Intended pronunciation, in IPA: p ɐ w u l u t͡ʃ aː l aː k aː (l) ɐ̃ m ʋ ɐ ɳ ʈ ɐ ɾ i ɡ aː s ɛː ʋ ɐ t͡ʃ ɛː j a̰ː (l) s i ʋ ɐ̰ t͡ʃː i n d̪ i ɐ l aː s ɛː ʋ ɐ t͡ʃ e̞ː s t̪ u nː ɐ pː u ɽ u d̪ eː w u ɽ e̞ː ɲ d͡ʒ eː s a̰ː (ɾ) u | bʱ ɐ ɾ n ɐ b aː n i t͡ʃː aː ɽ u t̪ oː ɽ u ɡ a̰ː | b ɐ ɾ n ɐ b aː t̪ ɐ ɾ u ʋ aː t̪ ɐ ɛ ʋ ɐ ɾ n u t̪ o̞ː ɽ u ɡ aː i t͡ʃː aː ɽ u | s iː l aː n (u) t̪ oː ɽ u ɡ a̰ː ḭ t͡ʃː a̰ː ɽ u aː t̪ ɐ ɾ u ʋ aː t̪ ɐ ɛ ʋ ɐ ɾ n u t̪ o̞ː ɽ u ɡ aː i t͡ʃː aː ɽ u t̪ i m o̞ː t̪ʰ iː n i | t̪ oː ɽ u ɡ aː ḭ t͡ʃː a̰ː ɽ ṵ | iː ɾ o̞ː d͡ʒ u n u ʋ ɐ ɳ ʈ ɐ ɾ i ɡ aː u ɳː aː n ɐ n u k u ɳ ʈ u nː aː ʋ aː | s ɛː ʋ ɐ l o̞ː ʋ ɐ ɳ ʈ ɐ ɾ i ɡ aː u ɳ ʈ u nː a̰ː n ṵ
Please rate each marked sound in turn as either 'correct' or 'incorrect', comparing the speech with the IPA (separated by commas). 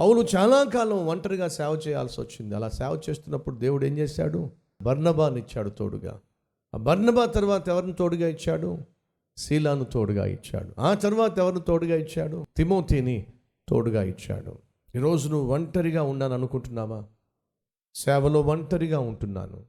correct, correct, incorrect, correct